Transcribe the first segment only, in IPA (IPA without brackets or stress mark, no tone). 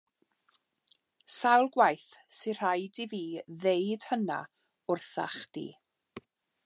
s